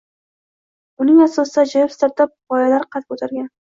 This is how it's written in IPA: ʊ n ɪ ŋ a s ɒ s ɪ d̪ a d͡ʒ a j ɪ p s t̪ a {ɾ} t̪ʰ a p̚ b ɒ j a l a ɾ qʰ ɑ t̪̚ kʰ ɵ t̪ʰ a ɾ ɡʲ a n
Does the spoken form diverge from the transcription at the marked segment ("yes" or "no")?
no